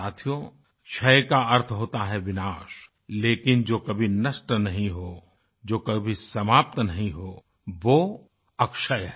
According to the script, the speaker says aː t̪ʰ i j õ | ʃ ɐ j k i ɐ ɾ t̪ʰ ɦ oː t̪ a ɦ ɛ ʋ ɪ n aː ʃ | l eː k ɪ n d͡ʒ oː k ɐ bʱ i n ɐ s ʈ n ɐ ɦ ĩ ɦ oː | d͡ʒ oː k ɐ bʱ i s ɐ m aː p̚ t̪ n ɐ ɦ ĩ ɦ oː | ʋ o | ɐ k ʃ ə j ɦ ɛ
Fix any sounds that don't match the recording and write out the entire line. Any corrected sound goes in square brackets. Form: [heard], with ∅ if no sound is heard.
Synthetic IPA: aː t̪ʰ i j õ | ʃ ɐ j k [a] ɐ ɾ t̪ʰ ɦ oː t̪ a ɦ ɛ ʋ ɪ n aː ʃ | l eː k ɪ n d͡ʒ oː k ɐ bʱ i n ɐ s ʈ n ɐ ɦ ĩ ɦ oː | d͡ʒ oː k ɐ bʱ i s ɐ m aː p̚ t̪ n ɐ ɦ ĩ ɦ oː | ʋ o | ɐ k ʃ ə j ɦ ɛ

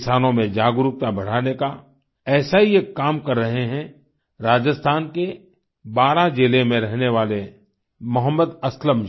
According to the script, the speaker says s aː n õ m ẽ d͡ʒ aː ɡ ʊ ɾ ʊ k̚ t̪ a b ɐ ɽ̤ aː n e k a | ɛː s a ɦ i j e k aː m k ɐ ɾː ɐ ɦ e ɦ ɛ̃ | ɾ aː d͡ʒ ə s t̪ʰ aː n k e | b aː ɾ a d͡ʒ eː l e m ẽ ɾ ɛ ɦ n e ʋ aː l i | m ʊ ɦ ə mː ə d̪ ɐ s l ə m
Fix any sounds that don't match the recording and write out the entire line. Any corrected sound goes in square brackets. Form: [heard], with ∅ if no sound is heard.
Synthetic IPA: s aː n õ m ẽ d͡ʒ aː ɡ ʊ ɾ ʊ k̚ t̪ a b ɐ ɽ̤ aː n e k a | ɛː s a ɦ i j e k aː m k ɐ ɾː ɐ ɦ e ɦ ɛ̃ | ɾ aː d͡ʒ ə s t̪ʰ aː n k e | b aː ɾ a d͡ʒ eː l e m ẽ ɾ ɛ ɦ n e ʋ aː l [e] | m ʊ ɦ ə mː ə d̪ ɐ s l ə m

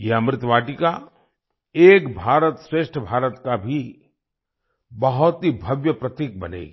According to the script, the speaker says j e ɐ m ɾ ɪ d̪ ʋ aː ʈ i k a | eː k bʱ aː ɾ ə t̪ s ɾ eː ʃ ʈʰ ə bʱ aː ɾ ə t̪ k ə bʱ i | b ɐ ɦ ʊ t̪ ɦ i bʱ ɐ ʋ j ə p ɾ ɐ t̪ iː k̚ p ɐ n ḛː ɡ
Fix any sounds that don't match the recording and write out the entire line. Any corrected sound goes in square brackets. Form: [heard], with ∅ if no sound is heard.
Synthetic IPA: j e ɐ m ɾ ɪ [t̪] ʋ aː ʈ i k a | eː k bʱ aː ɾ ə t̪ s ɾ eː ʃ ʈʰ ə bʱ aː ɾ ə t̪ k [a] bʱ i | b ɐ ɦ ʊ t̪ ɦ i bʱ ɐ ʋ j ə p ɾ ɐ t̪ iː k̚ [b] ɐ n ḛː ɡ

